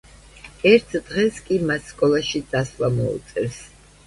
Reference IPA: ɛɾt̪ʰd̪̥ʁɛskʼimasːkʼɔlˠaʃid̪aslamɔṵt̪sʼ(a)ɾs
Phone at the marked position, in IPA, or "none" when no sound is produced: ɛ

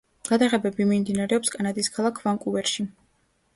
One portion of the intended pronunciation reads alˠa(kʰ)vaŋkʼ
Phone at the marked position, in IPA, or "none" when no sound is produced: kʰ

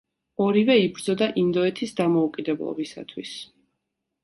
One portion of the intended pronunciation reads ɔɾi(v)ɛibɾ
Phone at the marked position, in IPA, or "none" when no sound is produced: v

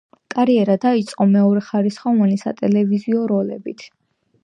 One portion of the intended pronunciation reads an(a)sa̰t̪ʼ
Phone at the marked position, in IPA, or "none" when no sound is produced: i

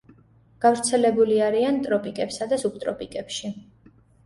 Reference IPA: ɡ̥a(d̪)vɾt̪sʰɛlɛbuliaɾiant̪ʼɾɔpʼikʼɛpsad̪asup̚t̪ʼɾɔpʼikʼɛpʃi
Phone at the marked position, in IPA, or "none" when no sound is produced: none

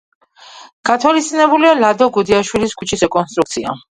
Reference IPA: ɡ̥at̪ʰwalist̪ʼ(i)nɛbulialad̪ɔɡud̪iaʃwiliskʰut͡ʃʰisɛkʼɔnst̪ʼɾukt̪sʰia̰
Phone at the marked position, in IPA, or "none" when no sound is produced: i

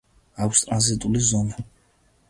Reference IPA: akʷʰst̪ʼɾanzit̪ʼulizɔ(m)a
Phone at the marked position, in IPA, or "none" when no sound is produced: n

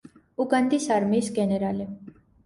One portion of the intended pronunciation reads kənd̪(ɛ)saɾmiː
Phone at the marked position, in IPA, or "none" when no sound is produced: i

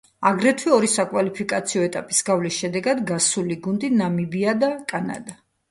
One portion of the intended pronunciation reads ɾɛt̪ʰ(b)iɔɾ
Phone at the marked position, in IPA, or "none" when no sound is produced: w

